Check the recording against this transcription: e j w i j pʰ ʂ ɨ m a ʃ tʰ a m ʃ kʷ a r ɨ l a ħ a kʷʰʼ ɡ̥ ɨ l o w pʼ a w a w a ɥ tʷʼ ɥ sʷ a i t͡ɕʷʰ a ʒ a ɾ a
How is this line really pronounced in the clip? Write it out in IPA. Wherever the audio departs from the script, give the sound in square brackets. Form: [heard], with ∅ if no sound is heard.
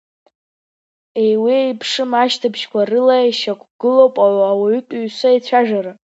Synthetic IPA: e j w i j pʰ ʂ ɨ m a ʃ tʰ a [b] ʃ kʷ a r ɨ l a [ʃ] a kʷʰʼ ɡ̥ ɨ l o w pʼ a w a w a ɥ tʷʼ ɥ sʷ a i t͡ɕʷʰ a ʒ a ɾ a